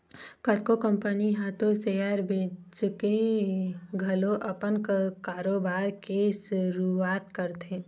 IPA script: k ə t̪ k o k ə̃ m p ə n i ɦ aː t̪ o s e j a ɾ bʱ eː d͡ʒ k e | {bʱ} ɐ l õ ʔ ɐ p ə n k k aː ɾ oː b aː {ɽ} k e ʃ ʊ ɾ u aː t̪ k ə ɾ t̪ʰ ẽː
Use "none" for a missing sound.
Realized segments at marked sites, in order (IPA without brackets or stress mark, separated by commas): ɡʱ, ɾ